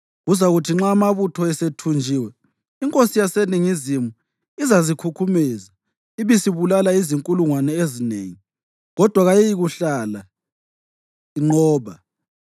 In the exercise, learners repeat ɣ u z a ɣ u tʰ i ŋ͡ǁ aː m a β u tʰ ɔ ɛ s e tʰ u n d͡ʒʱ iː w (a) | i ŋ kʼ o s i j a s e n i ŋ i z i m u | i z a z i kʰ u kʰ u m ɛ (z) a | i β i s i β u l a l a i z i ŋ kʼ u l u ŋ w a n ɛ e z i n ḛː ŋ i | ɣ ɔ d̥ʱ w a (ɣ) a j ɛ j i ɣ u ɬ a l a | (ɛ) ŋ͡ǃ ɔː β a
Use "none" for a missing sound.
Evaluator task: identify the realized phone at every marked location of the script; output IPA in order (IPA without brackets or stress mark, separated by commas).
ɛ, z, ɣ, i